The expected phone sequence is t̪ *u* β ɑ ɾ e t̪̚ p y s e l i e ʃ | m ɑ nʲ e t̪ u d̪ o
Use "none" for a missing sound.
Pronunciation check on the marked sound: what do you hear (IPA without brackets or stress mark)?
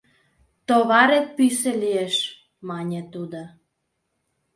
o